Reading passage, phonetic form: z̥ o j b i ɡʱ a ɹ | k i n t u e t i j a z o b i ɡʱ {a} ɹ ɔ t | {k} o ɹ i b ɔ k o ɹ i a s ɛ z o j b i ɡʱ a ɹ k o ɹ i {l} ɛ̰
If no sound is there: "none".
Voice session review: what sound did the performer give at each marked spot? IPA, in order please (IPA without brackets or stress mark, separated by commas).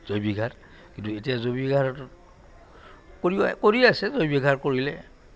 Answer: a, k, l